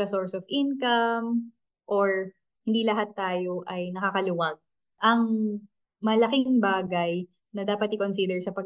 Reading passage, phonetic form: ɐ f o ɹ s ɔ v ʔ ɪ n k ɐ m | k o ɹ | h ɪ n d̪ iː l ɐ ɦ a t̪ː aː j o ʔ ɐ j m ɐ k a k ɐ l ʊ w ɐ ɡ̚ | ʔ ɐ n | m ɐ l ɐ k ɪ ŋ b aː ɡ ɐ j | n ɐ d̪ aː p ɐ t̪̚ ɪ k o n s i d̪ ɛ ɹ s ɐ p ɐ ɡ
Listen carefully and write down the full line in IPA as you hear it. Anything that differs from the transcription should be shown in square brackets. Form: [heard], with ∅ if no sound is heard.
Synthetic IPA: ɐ [s] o ɹ s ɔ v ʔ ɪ n k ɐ m | [ʔ] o ɹ | h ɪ n d̪ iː l ɐ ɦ a t̪ː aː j o ʔ ɐ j [n] ɐ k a k ɐ l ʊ w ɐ ɡ̚ | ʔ ɐ [ŋ] | m ɐ l ɐ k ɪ ŋ b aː ɡ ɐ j | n ɐ d̪ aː p ɐ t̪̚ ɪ k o n s i d̪ ɛ ɹ s ɐ p ɐ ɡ